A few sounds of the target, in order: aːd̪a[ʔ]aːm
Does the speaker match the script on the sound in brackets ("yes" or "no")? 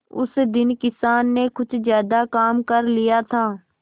no